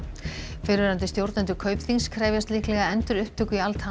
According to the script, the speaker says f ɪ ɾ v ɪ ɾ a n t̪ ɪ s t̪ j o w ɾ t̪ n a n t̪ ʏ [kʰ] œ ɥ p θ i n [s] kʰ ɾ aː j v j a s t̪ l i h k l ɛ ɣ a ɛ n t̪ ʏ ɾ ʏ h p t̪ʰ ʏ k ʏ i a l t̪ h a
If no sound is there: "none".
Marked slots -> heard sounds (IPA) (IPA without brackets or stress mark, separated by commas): kʰ, s